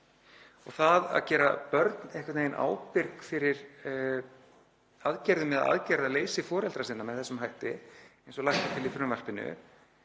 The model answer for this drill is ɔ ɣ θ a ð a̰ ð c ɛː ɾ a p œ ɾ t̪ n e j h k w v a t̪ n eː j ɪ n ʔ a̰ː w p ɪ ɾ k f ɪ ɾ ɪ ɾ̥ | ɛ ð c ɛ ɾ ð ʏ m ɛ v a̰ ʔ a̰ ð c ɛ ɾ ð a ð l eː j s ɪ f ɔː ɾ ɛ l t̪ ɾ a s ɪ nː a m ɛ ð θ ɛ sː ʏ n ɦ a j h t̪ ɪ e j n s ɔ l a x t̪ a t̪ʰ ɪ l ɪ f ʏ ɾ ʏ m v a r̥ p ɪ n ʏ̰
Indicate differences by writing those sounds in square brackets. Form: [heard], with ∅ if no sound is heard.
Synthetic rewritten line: ɔ ɣ θ a ð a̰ ð c ɛː ɾ a p œ ɾ t̪ n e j h k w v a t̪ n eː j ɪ n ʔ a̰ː w p ɪ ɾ k f ɪ ɾ ɪ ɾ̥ | [a] ð c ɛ ɾ ð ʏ m ɛ [ð] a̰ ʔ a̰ ð c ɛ ɾ ð a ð l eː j s ɪ f ɔː ɾ ɛ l t̪ ɾ a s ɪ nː a m ɛ ð θ ɛ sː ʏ [m] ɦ a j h t̪ ɪ e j n s ɔ l a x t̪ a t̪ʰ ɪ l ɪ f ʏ ɾ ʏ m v a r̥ p ɪ n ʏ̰